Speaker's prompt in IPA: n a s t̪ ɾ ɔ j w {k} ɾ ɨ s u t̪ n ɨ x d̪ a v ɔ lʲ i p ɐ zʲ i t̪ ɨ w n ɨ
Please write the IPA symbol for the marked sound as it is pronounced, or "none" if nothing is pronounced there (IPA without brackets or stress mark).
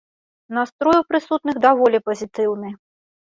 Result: p